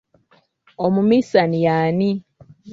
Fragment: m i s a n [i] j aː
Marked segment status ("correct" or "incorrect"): correct